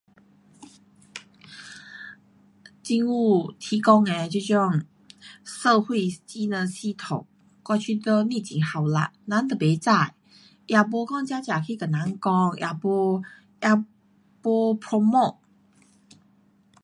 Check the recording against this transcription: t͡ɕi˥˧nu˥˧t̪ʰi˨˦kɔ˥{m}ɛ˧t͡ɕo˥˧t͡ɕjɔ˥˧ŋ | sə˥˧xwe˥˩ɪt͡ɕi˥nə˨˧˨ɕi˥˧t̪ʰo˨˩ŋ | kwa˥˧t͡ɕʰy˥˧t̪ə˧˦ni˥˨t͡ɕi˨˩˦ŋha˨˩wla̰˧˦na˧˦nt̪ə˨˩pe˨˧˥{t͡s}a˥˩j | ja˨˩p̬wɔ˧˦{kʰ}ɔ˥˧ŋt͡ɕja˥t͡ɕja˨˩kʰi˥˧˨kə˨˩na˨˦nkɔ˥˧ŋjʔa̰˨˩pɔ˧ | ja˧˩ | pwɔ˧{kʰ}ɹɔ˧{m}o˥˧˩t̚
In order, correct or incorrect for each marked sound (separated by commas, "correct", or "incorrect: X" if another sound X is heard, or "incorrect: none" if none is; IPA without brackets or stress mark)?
incorrect: ŋ, correct, incorrect: k, incorrect: pʰ, correct